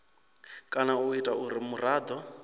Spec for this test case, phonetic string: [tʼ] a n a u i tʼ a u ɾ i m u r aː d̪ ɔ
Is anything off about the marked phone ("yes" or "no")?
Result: yes